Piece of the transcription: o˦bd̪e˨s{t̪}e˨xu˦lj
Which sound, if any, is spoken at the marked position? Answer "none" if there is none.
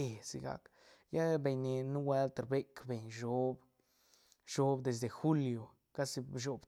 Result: d̪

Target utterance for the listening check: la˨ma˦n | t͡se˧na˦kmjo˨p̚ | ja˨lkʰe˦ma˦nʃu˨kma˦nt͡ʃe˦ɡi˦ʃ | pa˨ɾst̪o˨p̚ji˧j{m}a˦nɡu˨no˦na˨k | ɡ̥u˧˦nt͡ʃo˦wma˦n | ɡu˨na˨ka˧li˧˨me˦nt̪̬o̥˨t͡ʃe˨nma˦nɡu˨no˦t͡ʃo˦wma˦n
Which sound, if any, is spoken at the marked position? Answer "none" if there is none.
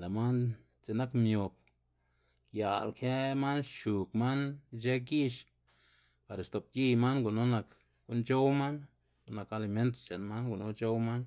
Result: m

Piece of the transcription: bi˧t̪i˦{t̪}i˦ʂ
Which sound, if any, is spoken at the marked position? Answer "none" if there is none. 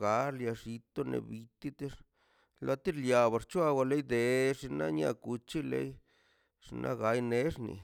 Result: t̪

